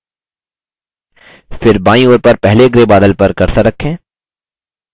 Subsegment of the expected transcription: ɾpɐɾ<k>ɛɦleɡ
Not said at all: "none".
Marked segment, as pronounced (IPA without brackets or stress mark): p